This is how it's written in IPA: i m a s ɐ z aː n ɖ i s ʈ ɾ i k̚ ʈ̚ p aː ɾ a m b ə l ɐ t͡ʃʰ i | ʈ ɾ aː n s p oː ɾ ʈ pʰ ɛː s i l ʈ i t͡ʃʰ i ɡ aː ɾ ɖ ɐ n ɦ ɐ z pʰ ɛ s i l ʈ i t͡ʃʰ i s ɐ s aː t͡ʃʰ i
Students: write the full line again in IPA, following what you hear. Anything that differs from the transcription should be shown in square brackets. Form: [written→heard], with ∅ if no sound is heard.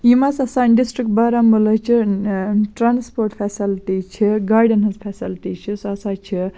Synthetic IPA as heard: i m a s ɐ [z→s] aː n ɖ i s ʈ ɾ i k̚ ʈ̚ [p→b] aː ɾ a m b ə l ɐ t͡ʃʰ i | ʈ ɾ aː n s p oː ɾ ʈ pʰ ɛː s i l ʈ i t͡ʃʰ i ɡ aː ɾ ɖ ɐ n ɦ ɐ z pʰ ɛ s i l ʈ i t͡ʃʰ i s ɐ s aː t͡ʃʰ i

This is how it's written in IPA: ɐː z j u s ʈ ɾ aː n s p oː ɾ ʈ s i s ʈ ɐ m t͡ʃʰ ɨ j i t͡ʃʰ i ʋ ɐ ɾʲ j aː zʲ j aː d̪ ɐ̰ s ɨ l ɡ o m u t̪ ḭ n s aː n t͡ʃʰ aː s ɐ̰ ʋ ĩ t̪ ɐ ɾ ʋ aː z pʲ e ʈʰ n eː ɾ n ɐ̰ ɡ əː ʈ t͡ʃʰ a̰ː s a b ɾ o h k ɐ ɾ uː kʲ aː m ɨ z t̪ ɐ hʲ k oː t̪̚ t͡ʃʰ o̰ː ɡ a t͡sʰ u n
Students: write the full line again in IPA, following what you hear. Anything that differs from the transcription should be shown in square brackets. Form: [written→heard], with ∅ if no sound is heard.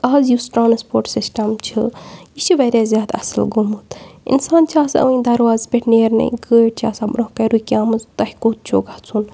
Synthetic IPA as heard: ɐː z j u s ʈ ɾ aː n s p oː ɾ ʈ s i s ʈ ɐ m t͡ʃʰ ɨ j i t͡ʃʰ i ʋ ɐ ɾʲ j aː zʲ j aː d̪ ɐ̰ s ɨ l ɡ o m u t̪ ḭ n s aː n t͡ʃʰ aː s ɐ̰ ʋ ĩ [t̪→d̪] ɐ ɾ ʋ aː z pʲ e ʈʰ n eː ɾ n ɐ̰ ɡ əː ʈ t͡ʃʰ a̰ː s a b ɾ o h k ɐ ɾ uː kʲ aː m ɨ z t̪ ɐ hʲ k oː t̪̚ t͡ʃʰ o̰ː ɡ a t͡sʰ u n

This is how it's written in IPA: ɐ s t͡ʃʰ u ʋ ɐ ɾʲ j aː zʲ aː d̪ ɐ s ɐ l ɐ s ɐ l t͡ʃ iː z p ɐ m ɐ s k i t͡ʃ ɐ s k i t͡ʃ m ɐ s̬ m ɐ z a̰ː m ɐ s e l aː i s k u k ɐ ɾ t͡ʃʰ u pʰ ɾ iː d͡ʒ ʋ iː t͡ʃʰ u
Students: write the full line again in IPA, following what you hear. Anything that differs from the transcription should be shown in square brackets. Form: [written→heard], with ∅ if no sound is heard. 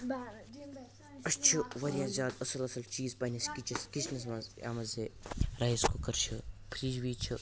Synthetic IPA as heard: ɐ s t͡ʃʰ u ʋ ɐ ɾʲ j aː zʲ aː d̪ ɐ s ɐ l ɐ s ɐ l t͡ʃ iː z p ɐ [m→n] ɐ s k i t͡ʃ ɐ s k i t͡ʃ [m→n] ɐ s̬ m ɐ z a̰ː m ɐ [s→z] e [l→ɾ] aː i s k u k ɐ ɾ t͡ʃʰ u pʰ ɾ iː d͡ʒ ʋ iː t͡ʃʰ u

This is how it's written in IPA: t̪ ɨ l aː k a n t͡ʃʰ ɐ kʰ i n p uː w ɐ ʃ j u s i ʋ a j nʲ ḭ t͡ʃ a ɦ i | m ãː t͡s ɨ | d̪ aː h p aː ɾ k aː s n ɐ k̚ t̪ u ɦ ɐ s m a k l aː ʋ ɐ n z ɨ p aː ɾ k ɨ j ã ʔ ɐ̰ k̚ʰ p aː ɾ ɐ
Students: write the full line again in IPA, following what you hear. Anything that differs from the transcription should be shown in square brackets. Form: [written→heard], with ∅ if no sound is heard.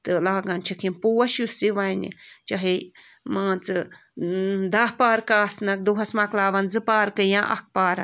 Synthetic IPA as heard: t̪ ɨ l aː [k→ɡ] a n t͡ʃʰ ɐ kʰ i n p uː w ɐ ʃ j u s i ʋ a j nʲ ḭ t͡ʃ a ɦ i | m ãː t͡s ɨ | d̪ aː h p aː ɾ k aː s n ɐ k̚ [t̪→d̪] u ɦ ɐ s m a k l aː ʋ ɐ n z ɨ p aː ɾ k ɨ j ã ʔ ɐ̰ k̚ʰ p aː ɾ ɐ

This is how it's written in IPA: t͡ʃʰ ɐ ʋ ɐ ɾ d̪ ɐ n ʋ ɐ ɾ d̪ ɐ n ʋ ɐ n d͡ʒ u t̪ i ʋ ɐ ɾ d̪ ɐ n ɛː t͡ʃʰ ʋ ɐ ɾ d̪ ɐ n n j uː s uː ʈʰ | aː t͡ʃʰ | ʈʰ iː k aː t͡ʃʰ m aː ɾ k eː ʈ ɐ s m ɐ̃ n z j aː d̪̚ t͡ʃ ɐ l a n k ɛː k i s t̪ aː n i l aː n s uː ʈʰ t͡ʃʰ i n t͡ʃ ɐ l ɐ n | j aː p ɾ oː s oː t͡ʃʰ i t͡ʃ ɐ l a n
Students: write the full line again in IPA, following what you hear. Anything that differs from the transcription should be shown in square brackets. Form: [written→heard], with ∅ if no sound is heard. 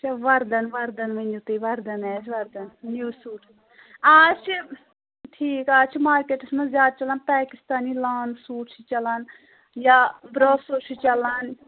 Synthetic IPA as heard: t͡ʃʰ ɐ ʋ ɐ ɾ d̪ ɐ n ʋ ɐ ɾ d̪ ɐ n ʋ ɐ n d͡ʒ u t̪ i ʋ ɐ ɾ d̪ ɐ n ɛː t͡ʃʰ ʋ ɐ ɾ d̪ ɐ n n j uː s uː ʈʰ | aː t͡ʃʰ | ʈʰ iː k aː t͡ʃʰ m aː ɾ k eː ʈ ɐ s m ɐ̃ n z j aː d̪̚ t͡ʃ ɐ l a n [k→p] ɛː k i s t̪ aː n i l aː n s uː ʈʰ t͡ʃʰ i [n→∅] t͡ʃ ɐ l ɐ n | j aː [p→b] ɾ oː s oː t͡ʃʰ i t͡ʃ ɐ l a n

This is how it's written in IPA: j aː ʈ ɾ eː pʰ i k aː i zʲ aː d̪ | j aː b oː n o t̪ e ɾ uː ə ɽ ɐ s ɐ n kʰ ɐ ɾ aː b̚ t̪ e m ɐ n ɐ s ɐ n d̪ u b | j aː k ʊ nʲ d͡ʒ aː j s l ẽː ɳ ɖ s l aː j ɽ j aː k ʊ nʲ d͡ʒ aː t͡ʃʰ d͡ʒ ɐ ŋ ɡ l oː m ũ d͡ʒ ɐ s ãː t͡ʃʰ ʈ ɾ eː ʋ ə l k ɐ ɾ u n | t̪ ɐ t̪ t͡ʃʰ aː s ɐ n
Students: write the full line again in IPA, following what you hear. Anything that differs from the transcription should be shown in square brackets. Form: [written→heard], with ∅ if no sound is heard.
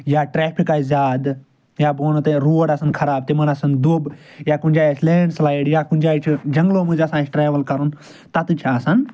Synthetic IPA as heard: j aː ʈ ɾ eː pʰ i k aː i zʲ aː d̪ | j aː b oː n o t̪ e ɾ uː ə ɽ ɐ s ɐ n kʰ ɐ ɾ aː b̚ t̪ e m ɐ n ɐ s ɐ n d̪ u b | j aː k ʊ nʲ d͡ʒ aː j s l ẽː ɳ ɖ s l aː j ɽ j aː k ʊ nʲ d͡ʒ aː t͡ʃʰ d͡ʒ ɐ ŋ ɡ l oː m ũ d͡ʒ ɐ s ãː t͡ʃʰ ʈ ɾ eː ʋ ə l k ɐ ɾ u n | t̪ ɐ t̪ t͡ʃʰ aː s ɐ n

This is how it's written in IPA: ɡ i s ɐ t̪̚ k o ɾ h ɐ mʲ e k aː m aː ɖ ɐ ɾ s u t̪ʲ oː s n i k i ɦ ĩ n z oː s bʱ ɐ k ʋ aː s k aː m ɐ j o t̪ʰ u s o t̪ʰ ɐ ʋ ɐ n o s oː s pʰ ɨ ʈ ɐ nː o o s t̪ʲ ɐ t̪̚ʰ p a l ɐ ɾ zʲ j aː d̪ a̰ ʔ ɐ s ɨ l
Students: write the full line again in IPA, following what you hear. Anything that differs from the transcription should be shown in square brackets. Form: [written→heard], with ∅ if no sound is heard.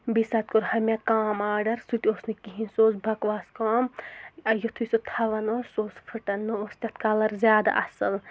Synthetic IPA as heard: [ɡ→b] i s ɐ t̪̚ k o ɾ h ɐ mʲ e k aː m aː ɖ ɐ ɾ s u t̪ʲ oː s n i k i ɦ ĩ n [z→s] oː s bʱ ɐ k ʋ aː s k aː m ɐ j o t̪ʰ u s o t̪ʰ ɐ ʋ ɐ n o s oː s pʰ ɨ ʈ ɐ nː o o s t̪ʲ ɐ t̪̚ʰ [p→k] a l ɐ ɾ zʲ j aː d̪ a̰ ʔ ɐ s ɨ l

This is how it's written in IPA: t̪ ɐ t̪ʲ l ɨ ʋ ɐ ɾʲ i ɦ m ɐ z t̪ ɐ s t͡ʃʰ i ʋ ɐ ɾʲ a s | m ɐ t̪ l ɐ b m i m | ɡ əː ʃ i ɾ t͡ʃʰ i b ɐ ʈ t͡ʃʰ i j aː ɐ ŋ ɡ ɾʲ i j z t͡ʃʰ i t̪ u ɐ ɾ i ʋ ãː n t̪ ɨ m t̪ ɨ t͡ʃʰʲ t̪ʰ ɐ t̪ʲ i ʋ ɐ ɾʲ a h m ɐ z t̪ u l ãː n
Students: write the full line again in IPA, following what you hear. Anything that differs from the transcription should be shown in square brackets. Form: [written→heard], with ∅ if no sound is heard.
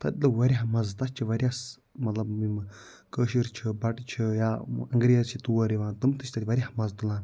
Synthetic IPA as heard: t̪ ɐ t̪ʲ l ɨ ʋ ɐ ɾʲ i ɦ m ɐ z t̪ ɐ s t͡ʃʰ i ʋ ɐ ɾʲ a s | m ɐ t̪ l ɐ b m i m | [ɡ→k] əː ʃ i ɾ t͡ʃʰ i b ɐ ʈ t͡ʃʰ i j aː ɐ ŋ ɡ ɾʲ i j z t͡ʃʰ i t̪ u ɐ ɾ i ʋ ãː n t̪ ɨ m t̪ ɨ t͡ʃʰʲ [t̪ʰ→t̪] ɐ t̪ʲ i ʋ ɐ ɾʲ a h m ɐ z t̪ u l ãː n

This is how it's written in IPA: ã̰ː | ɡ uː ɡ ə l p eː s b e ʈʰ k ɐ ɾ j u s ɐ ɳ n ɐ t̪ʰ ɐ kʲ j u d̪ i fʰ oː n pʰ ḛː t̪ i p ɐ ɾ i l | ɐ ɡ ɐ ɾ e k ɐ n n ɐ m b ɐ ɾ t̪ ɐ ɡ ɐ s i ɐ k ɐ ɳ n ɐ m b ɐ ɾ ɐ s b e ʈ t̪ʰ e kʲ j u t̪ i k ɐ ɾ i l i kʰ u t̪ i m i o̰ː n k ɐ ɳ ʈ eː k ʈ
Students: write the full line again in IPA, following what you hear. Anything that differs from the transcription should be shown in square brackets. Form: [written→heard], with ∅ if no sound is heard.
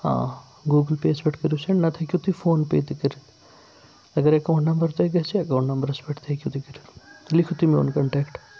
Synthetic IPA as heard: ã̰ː | ɡ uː ɡ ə l p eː s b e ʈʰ k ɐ ɾ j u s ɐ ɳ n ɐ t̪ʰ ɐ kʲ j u [d̪→t̪] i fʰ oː n [pʰ→p] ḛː t̪ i [p→k] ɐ ɾ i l | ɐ ɡ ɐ ɾ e k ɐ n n ɐ m b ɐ ɾ t̪ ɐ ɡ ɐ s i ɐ k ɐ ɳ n ɐ m b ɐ ɾ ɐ s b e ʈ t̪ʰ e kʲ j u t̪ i k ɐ ɾ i l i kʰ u t̪ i m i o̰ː n k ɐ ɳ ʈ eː k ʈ

